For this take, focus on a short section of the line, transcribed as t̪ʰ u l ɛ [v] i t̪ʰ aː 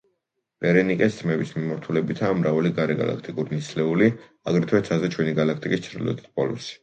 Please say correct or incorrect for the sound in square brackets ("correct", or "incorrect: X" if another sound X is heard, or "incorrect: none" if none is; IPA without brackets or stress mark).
incorrect: b